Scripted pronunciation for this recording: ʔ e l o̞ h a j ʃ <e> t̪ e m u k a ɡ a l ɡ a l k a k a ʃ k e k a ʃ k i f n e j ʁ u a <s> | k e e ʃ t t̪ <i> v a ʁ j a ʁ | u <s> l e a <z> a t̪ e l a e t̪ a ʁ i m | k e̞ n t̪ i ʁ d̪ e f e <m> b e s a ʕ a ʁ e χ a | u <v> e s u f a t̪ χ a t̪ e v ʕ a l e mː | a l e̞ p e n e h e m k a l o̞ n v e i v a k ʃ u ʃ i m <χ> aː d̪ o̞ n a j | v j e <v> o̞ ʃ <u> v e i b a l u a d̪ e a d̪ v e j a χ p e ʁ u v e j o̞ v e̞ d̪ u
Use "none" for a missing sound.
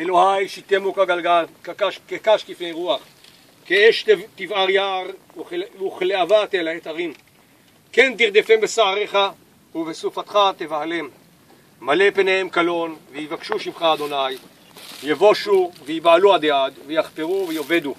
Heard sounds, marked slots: i, χ, i, χ, v, m, v, χ, v, u

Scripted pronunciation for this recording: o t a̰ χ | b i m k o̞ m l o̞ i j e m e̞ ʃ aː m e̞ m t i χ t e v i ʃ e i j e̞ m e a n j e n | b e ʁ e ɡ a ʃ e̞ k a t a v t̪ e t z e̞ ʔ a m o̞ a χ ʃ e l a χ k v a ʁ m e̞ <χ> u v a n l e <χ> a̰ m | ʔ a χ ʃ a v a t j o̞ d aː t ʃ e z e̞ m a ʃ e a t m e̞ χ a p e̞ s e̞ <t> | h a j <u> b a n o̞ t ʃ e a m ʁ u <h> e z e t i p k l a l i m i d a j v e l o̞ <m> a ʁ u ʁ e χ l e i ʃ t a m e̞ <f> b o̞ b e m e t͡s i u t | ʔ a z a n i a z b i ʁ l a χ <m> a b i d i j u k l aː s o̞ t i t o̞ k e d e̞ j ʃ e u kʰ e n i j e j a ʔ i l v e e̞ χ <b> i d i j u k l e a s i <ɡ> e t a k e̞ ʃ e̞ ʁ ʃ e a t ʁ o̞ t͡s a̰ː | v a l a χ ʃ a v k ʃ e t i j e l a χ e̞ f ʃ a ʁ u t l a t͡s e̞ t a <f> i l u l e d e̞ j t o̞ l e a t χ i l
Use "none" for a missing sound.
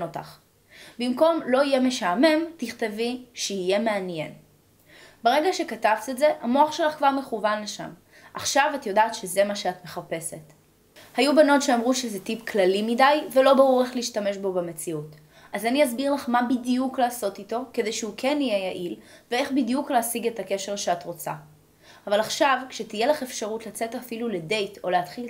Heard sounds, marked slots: χ, ʃ, t, u, ʃ, b, ʃ, m, b, ɡ, f

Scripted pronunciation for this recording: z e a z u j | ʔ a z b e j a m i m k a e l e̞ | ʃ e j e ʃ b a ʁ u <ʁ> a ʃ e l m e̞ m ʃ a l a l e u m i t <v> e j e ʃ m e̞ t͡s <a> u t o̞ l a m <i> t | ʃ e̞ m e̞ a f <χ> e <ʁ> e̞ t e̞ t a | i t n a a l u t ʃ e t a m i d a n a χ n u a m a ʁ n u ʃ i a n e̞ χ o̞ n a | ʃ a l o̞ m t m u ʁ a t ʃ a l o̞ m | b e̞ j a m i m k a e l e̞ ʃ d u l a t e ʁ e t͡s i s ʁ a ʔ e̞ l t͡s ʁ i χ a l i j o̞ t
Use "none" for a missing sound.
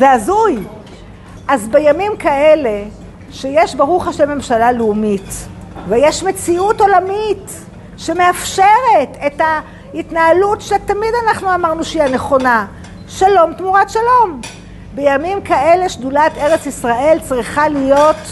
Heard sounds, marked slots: χ, v, i, i, ʃ, ʁ

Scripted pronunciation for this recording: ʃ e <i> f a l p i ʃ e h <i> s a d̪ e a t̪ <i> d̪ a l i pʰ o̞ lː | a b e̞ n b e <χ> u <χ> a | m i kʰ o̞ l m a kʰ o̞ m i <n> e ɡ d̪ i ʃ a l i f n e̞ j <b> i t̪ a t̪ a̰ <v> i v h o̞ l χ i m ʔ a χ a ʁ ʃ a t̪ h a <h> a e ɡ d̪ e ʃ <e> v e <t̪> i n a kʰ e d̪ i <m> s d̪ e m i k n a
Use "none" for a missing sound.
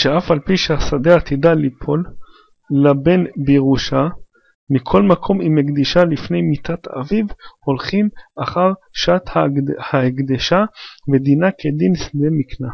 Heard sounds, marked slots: a, a, i, ʁ, ʃ, m, m, v, h, a, d̪, n

